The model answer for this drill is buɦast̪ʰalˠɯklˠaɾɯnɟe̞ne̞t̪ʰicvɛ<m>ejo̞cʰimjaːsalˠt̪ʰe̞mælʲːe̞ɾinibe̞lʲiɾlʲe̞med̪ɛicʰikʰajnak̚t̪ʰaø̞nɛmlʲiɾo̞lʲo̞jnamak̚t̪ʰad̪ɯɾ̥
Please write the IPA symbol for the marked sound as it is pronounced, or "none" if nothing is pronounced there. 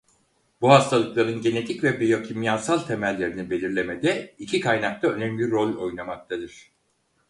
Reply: b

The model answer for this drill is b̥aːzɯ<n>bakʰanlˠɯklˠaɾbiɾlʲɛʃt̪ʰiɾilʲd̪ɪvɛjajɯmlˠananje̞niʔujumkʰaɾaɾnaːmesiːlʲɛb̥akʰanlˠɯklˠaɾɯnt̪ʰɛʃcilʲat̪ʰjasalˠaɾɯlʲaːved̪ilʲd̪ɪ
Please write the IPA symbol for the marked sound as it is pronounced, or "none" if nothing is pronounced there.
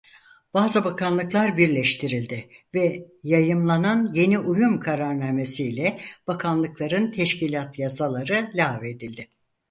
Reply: none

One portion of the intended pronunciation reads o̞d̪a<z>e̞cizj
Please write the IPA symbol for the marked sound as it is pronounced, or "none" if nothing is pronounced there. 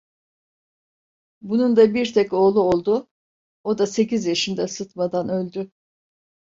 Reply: s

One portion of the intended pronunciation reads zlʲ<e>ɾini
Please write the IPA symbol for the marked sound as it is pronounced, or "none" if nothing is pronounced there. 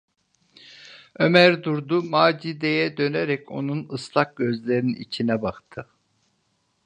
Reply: e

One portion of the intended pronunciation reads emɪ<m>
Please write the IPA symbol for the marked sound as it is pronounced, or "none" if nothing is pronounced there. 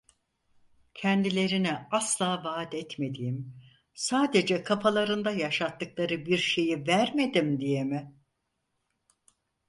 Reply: none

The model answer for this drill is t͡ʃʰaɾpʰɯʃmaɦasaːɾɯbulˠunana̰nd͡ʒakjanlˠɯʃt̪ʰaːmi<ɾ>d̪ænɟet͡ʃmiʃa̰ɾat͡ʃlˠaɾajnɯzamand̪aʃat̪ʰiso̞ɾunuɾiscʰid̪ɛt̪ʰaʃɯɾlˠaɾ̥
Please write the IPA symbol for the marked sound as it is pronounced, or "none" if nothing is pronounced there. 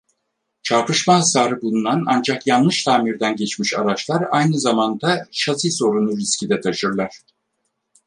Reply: ɾ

